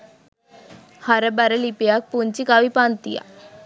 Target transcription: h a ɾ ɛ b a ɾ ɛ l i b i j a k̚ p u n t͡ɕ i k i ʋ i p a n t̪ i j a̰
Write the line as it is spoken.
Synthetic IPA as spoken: h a ɾ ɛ b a ɾ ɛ l i p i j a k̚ p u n t͡ɕ i k a ʋ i p a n t̪ i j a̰